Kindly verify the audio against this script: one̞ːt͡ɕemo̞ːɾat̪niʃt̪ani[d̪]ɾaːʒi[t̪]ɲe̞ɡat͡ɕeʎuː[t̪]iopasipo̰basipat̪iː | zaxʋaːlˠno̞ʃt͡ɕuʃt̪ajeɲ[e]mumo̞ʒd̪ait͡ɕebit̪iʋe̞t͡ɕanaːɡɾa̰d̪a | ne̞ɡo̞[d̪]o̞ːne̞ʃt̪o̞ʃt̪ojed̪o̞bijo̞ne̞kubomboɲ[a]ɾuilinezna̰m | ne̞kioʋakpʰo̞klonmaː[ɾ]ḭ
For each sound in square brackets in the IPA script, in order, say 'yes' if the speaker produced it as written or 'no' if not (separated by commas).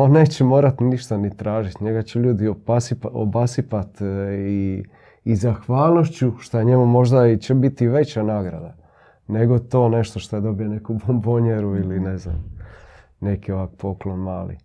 no, yes, no, yes, no, no, no